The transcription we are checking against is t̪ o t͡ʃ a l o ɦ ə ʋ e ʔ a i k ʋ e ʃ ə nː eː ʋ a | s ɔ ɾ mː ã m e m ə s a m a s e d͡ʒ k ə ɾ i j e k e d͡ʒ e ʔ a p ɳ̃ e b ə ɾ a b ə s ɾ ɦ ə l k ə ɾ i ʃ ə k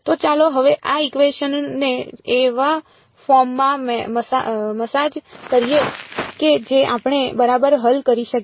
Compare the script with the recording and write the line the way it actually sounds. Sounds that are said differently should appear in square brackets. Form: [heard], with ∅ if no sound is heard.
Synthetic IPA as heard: t̪ o t͡ʃ a l o ɦ ə ʋ e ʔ a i k ʋ e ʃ ə nː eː ʋ a | [f] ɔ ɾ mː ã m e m ə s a m [ə] s [a] d͡ʒ k ə ɾ i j e k e d͡ʒ e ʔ a p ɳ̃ e b ə ɾ a b ə [∅] ɾ ɦ ə l k ə ɾ i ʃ ə k